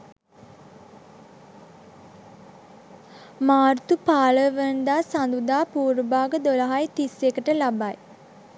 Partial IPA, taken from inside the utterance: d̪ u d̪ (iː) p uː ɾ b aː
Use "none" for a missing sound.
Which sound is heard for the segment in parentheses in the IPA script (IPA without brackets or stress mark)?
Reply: aː